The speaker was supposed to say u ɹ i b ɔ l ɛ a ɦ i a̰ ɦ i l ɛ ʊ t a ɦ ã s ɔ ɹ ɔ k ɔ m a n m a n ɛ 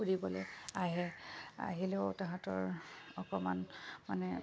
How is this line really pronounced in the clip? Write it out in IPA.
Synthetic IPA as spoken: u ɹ i b ɔ l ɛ a ɦ ɛ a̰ ɦ i l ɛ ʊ t a ɦ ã t ɔ ɹ ɔ k ɔ m a n m a n ɛ